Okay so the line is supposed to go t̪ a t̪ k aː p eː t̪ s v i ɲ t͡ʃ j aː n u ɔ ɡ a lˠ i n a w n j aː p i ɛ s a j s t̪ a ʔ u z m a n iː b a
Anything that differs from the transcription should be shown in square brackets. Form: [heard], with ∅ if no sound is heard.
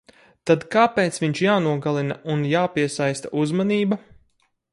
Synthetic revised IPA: t̪ a [d̪] k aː p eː t̪ s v i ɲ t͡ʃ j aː n u ɔ ɡ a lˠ i n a [u] n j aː p i ɛ s a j s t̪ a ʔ u z m a n iː b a